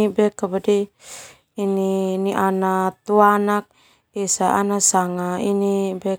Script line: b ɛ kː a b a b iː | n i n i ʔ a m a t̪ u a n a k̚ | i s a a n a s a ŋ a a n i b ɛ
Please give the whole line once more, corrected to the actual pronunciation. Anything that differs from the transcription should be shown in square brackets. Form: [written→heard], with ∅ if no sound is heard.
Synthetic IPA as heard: b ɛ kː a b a [b→d] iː | n i n i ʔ a [m→n] a t̪ u a n a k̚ | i s a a n a s a ŋ a [a→i] n i b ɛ